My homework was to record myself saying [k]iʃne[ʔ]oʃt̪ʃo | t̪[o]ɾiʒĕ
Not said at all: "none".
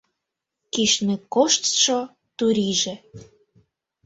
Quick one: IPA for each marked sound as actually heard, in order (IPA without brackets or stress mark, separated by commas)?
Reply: k, k, u